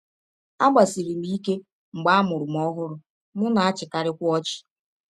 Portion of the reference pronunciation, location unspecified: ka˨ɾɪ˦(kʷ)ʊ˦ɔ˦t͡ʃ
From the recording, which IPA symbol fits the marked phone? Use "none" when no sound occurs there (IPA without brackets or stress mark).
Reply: kʷ